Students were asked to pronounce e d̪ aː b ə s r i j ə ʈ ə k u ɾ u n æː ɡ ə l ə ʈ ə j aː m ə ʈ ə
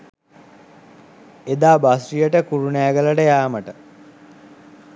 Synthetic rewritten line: e d̪ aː b a s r i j ə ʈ ə k u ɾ u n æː ɡ ə l ə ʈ ə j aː m ə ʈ ə